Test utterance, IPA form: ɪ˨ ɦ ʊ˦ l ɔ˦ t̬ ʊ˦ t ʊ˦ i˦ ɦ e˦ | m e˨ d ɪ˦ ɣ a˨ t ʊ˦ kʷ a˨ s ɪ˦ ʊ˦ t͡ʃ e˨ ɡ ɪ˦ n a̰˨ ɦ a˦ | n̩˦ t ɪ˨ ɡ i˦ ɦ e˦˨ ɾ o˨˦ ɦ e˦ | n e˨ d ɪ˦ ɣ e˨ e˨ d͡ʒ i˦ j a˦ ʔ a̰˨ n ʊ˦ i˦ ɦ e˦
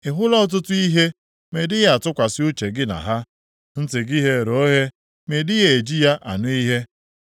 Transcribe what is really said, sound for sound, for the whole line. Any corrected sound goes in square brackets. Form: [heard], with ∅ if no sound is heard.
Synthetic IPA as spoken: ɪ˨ ɦ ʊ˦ l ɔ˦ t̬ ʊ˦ t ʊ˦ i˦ ɦ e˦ | m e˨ d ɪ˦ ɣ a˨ t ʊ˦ kʷ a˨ s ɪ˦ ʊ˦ t͡ʃ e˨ ɡ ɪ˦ n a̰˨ ɦ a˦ | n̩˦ t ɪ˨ ɡ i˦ ɦ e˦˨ ɾ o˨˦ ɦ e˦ | [m] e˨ d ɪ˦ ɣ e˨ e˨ d͡ʒ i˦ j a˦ ʔ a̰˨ n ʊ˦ i˦ ɦ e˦